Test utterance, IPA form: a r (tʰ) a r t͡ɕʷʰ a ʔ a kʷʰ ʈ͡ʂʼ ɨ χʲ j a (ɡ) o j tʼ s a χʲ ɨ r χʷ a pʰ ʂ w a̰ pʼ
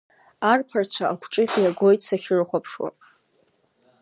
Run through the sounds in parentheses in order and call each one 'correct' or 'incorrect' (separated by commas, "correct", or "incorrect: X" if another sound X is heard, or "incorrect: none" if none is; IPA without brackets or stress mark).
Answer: incorrect: pʰ, correct